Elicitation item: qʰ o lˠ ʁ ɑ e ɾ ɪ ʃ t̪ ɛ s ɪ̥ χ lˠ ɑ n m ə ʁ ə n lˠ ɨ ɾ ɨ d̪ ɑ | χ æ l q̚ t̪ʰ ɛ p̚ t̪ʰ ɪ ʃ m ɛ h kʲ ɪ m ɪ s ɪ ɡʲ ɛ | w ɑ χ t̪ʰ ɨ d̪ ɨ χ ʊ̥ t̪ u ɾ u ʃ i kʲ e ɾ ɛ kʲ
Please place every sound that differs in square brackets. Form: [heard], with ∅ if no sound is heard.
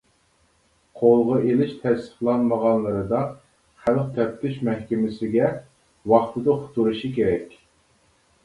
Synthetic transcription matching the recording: qʰ o lˠ ʁ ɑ e [l] ɪ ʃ [t̪ʰ] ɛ s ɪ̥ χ lˠ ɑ n m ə ʁ [ɑ] n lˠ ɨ ɾ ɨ d̪ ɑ | χ æ l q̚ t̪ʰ ɛ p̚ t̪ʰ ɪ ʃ m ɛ h kʲ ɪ m ɪ s ɪ ɡʲ ɛ | w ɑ χ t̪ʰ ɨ d̪ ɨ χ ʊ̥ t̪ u ɾ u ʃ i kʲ e ɾ ɛ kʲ